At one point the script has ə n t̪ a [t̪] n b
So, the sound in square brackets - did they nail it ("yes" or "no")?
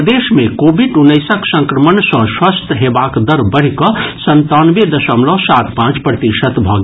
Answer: no